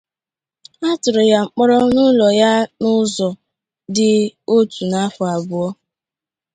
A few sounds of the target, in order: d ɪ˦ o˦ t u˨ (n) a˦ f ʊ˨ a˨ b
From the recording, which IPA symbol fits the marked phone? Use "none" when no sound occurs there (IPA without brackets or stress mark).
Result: n